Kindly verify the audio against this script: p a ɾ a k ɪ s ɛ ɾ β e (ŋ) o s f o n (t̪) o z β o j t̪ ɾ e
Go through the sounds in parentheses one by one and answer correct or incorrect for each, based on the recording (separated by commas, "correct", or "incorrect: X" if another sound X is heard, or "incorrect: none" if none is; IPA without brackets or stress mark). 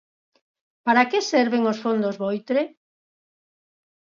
correct, incorrect: d̪